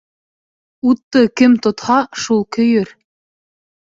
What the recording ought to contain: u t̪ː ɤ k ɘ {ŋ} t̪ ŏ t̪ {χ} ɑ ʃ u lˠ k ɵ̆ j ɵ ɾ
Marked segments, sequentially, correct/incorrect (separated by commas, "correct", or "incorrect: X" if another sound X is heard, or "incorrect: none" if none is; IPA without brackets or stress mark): incorrect: m, incorrect: h